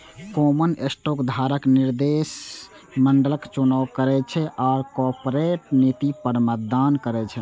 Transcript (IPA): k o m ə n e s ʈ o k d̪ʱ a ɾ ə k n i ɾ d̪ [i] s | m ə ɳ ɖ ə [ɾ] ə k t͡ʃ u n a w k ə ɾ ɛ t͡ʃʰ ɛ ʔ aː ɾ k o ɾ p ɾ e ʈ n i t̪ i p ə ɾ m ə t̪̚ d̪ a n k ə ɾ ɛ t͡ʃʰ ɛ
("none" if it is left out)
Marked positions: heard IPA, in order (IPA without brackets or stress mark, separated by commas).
e, l